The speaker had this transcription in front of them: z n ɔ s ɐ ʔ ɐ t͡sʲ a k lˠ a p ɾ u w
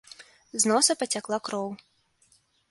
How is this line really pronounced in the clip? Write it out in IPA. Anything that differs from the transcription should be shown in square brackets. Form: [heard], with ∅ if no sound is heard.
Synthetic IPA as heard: z n ɔ s ɐ [p] ɐ t͡sʲ a k lˠ a [k] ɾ [ɔ] w